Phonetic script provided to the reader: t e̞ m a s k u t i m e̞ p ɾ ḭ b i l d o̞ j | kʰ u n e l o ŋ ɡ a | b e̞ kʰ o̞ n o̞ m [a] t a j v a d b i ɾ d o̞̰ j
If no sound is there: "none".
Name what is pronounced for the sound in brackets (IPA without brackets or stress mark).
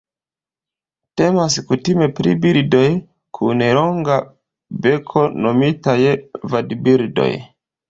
i